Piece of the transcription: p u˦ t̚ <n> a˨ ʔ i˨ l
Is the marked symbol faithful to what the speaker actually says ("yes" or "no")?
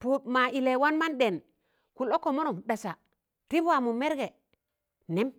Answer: no